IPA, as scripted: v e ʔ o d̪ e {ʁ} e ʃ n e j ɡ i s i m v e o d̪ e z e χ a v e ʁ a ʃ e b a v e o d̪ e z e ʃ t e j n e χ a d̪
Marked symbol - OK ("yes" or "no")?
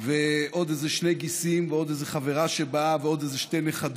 no